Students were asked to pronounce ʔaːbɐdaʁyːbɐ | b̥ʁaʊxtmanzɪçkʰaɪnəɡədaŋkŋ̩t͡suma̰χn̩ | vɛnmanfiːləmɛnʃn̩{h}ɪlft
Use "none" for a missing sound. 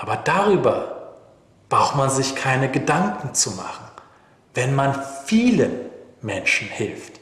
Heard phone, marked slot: h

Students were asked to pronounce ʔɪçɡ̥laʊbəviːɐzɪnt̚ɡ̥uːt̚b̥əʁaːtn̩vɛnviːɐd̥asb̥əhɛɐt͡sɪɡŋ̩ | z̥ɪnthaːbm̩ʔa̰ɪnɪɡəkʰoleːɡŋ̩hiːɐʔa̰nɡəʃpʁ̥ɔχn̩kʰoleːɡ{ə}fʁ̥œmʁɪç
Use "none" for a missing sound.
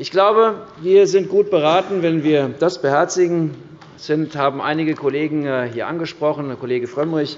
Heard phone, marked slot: ə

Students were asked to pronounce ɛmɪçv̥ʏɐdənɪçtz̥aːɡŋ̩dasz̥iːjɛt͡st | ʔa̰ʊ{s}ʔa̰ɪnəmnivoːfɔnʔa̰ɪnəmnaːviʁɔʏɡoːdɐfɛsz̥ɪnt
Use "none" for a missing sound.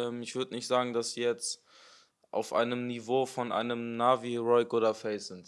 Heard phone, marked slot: f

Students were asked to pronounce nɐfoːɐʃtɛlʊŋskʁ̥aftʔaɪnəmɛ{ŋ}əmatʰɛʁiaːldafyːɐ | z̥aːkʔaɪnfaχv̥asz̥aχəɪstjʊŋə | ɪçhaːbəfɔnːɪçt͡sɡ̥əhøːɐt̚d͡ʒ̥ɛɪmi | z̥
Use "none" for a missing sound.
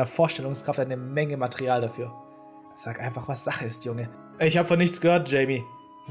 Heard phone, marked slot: ŋ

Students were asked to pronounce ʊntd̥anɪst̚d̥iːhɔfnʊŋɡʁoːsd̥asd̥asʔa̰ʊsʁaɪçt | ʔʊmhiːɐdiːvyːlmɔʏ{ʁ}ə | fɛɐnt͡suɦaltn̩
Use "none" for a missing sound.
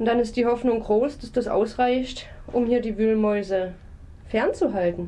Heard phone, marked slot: z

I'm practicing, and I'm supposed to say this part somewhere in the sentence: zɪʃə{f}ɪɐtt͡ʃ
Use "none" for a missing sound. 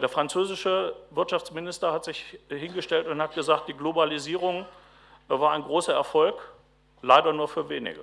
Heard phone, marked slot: v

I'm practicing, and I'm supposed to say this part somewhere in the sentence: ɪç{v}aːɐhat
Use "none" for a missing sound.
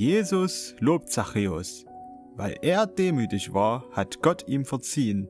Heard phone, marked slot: v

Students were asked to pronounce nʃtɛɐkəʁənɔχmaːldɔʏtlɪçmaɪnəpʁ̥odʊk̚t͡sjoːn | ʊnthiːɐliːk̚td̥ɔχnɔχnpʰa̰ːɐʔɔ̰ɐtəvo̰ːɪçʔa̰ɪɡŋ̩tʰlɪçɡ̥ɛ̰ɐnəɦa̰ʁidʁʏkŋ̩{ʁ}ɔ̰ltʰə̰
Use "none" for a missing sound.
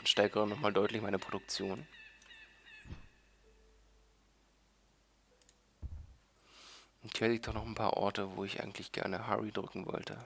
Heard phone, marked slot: v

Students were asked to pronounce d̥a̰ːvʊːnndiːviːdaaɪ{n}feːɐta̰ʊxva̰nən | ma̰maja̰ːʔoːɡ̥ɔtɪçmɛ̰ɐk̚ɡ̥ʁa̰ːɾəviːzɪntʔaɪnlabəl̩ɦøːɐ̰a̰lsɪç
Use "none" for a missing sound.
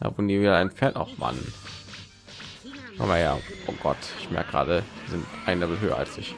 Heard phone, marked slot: n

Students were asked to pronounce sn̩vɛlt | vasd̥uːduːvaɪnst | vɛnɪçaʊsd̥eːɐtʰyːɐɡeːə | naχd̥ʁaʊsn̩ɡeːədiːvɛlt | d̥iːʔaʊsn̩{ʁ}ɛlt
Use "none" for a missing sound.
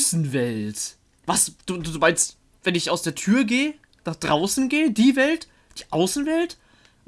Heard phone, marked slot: v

